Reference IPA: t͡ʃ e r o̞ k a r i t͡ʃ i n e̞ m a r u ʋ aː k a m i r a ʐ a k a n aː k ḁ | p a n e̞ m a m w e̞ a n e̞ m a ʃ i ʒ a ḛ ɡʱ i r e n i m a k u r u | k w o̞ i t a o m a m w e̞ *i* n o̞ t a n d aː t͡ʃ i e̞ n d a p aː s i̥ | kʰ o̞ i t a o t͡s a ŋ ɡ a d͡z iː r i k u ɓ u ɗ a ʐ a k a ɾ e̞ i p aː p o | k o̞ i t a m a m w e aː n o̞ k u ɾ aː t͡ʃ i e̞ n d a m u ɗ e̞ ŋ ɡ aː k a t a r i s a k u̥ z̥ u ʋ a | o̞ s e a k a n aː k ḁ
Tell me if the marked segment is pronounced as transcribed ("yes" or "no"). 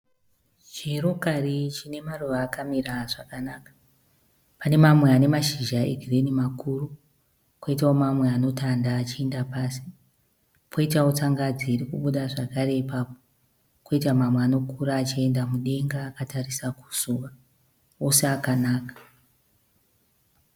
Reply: no